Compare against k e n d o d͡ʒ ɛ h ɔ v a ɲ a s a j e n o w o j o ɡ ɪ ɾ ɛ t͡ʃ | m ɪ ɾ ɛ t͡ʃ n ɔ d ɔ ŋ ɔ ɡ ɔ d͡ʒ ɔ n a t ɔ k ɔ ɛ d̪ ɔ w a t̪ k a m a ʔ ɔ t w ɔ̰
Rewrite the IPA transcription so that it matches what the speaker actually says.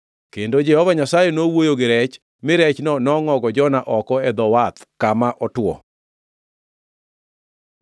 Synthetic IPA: k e n d o d͡ʒ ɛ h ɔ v a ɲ a s a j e n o w o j o ɡ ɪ ɾ ɛ t͡ʃ | m ɪ ɾ ɛ t͡ʃ n ɔ n ɔ ŋ ɔ ɡ ɔ d͡ʒ ɔ n a ʔ ɔ k ɔ ɛ d̪ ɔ w a t̪ k a m a ʔ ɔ t w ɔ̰